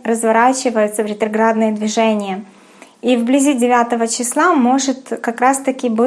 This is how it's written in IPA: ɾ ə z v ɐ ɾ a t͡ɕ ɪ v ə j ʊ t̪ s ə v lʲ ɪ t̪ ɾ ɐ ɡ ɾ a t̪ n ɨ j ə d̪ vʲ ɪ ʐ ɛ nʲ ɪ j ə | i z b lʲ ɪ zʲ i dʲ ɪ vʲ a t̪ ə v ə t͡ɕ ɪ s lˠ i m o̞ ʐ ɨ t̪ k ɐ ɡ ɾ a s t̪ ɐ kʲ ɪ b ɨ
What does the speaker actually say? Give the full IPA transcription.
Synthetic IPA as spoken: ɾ ə z v ɐ ɾ a t͡ɕ ɪ v ə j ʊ t̪ s ə v ɾʲ ɪ t̪ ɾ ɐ ɡ ɾ a d̪ n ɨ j ə d̪ vʲ ɪ ʐ ɛ nʲ ɪ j ə | i v b lʲ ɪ zʲ i dʲ ɪ vʲ a t̪ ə v ə t͡ɕ ɪ s lˠ a m o̞ ʐ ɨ t̪ k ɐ k ɾ a s t̪ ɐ kʲ ɪ b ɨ